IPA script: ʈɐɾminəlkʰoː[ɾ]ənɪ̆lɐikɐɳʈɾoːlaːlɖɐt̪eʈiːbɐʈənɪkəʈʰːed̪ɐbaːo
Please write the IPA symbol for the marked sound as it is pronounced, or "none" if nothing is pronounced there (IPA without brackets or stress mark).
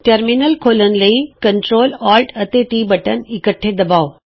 l